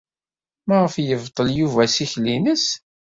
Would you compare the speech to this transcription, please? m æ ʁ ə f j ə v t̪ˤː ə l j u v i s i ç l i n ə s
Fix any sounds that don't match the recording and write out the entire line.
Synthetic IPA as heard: m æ ʁ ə f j ə v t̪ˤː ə l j u v æ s i ç l i n ə s